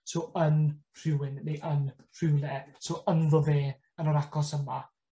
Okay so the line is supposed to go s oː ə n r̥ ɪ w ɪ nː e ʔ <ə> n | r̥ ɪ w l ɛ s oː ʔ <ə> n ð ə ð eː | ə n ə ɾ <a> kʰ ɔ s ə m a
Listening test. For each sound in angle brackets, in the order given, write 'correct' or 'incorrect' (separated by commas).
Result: correct, correct, correct